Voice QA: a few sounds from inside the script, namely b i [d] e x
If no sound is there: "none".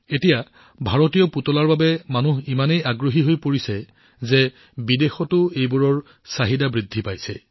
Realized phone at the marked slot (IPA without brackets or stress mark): d